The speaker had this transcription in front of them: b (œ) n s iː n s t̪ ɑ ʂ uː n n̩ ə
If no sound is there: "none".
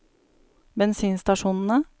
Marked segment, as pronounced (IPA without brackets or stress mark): ɛ